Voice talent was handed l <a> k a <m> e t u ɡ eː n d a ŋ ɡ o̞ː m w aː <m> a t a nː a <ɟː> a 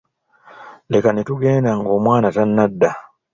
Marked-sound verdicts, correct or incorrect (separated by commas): incorrect, incorrect, incorrect, incorrect